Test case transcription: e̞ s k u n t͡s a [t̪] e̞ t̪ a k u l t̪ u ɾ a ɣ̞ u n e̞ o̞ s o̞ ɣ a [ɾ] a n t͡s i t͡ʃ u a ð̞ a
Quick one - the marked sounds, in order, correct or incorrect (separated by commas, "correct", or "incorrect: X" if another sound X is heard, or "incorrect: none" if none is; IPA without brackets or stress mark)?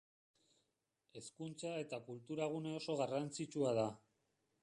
incorrect: none, incorrect: r